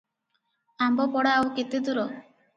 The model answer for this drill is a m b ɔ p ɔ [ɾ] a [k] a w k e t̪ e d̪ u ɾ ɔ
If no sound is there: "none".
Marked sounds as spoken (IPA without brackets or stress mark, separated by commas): ɽ, none